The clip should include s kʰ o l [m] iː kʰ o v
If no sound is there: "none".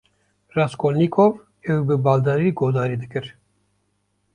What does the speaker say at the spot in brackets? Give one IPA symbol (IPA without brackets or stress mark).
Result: n